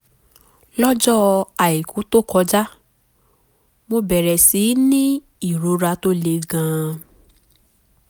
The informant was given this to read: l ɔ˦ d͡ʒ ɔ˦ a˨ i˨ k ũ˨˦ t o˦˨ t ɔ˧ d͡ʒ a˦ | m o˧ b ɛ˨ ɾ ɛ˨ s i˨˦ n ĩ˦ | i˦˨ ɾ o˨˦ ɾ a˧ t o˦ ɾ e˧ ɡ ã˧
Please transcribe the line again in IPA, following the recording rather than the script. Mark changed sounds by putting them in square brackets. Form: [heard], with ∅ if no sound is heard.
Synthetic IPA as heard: l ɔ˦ d͡ʒ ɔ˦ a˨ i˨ k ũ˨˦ t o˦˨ [k] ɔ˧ d͡ʒ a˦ | m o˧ b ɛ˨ ɾ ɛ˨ s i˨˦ n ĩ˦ | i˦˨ ɾ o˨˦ ɾ a˧ t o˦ [l] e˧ ɡ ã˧

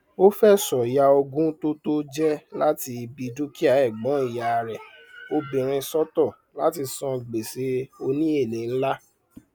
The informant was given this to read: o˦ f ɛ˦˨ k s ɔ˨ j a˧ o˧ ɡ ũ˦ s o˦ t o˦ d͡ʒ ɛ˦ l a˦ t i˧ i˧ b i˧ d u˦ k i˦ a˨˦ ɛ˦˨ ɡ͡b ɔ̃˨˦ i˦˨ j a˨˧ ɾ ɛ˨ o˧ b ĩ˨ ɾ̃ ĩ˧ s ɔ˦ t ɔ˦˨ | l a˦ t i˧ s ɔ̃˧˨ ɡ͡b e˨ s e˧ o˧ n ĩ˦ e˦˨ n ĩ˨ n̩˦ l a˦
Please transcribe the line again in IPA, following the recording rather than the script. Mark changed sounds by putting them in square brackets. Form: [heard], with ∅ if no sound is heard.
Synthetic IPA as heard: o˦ f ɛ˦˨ [∅] s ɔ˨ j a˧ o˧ ɡ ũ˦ [t] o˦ t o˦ d͡ʒ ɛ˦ l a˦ t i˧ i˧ b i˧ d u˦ k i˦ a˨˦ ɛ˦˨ ɡ͡b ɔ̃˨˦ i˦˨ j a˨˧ ɾ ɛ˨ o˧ b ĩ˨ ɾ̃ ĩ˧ s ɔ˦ t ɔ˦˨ | l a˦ t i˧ s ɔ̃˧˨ ɡ͡b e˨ s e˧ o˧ n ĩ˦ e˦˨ n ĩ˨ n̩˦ l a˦

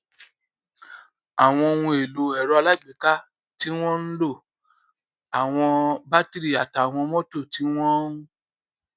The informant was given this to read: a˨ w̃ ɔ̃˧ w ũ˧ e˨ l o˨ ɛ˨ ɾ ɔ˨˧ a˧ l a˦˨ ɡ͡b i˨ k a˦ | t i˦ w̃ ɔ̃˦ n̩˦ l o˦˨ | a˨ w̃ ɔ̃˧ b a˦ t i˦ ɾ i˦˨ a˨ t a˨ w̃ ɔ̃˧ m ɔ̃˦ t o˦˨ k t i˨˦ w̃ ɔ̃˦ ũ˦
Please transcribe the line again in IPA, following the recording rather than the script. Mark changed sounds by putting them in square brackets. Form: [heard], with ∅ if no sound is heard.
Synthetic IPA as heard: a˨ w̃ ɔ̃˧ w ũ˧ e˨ l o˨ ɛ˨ ɾ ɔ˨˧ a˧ l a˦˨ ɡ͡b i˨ k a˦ | t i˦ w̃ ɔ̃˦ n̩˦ l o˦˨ | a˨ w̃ ɔ̃˧ b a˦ t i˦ ɾ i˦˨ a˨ t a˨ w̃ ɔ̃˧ m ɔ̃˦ t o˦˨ [∅] t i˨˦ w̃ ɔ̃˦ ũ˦

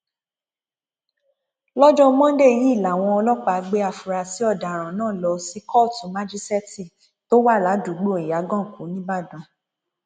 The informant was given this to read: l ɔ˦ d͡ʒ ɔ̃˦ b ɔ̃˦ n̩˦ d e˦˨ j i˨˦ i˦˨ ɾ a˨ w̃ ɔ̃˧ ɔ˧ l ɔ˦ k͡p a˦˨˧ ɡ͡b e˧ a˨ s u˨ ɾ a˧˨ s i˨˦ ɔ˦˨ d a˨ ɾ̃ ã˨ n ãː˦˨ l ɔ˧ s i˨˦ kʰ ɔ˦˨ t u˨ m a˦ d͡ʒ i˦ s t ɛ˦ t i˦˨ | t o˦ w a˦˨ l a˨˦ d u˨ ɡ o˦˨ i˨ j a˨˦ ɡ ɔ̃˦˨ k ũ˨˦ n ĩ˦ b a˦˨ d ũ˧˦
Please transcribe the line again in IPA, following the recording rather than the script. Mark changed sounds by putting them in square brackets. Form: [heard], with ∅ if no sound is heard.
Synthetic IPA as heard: l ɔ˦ d͡ʒ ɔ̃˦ [m] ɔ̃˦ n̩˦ d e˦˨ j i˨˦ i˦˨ [l] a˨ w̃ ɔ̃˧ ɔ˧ l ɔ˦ k͡p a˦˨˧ ɡ͡b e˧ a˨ [f] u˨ ɾ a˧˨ s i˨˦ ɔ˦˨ d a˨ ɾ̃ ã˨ n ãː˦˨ l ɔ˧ s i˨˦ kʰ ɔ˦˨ t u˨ m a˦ d͡ʒ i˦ s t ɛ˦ t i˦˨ | t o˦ w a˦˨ l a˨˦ d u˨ [ɡ͡b] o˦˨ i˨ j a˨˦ ɡ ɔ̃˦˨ k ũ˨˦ n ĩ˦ b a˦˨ d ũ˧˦

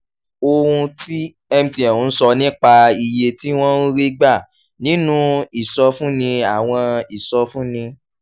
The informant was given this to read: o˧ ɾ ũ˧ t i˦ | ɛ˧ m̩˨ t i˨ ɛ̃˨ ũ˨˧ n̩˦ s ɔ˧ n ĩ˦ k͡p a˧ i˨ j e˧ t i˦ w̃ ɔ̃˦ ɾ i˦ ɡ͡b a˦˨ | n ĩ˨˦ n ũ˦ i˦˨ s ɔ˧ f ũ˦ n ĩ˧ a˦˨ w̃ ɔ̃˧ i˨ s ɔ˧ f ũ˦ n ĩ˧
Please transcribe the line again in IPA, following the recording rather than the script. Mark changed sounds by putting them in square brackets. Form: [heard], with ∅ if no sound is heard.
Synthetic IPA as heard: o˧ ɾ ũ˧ t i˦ | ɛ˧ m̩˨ t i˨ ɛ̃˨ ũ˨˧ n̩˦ s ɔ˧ n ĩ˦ k͡p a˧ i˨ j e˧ t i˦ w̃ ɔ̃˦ ɾ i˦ ɡ͡b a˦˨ | n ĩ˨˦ n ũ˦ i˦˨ s ɔ˧ f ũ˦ n ĩ˧ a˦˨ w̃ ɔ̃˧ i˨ s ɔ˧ f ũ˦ n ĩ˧

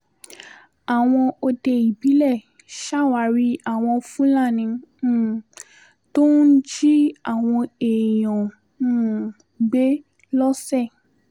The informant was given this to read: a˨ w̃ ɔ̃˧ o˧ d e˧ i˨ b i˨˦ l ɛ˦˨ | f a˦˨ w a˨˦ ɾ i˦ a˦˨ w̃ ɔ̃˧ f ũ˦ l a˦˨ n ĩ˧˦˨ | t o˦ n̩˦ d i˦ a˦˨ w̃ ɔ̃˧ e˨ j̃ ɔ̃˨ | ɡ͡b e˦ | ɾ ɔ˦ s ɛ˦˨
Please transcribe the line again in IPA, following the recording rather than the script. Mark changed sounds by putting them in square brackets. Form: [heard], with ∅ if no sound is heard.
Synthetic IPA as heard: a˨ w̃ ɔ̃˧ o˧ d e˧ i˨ b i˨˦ l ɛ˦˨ | [ʃ] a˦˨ w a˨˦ ɾ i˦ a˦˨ w̃ ɔ̃˧ f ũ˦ l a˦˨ n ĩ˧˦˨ | t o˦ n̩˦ [d͡ʒ] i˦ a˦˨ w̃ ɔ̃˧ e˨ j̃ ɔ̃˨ | ɡ͡b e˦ | [l] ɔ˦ s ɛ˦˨

